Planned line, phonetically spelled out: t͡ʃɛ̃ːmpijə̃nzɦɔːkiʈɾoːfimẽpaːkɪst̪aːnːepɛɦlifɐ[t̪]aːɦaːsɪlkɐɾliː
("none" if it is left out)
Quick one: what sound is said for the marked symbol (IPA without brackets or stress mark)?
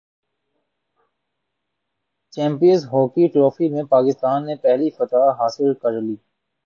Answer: t̪